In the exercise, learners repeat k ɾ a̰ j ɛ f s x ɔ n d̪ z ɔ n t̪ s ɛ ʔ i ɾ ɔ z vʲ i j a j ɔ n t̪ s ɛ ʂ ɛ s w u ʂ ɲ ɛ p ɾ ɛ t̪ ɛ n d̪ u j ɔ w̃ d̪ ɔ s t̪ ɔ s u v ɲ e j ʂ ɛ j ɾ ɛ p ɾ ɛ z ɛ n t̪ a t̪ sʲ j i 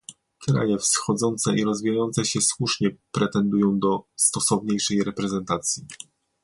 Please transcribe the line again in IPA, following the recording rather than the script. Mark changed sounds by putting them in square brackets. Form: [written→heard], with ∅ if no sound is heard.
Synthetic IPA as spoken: k ɾ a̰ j ɛ f s x ɔ [n→∅] d̪ z ɔ n t̪ s ɛ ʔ i ɾ ɔ z vʲ i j a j ɔ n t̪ s ɛ [ʂ→ɕ] ɛ s w u ʂ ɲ ɛ p ɾ ɛ t̪ ɛ n d̪ u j [ɔ→ɔ̃] w̃ d̪ ɔ s t̪ ɔ s [u→ɔ] v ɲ e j ʂ ɛ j ɾ ɛ p ɾ ɛ z ɛ n t̪ a t̪ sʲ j i